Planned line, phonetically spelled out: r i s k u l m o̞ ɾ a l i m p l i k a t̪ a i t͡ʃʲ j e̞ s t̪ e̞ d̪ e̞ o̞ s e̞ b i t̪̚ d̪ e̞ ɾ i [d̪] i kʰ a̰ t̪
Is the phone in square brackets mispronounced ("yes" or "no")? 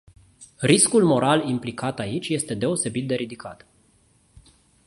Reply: no